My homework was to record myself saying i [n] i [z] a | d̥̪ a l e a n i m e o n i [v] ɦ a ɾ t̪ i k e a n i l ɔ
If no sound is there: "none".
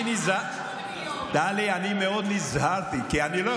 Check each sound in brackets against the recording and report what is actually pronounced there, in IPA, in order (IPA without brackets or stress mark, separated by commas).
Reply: n, z, z